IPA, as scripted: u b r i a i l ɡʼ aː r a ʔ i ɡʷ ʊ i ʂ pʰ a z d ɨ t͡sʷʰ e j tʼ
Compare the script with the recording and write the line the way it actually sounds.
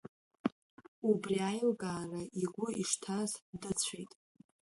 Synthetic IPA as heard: u b r i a j l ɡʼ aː r a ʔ i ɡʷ ʊ i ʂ tʰ a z d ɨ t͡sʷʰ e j tʼ